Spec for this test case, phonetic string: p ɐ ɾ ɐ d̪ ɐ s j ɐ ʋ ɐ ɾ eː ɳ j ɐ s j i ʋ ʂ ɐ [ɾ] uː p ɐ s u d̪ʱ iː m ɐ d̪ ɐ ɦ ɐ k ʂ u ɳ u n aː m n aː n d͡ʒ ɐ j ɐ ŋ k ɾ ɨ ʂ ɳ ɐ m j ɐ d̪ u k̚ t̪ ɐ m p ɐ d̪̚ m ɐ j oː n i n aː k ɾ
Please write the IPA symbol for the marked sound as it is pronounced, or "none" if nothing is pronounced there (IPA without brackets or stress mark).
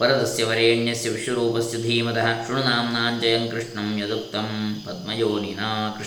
ɾ